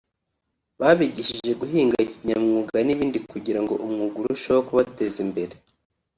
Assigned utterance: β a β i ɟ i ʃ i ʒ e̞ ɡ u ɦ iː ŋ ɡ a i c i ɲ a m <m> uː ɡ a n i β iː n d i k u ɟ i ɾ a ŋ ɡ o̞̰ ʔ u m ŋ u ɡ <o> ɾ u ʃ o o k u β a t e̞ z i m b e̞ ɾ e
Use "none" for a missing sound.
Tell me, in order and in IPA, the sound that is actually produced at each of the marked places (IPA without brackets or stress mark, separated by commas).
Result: ŋ, u